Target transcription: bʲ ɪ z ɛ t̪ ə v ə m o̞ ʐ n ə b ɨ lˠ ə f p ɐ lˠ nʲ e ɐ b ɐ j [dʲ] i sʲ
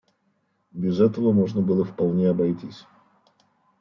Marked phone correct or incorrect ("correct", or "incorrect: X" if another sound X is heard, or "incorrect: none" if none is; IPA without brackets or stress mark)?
incorrect: tʲ